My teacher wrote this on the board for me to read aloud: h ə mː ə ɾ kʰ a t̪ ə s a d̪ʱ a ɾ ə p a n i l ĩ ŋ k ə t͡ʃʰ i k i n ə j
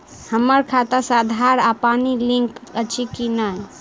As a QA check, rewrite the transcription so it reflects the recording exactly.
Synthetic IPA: h ə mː ə ɾ kʰ a t̪ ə s a d̪ʱ a ɾ a p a n i l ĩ ŋ k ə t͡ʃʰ i k i n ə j